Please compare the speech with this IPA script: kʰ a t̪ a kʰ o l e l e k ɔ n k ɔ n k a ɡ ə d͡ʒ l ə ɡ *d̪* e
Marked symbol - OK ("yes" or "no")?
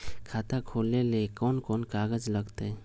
no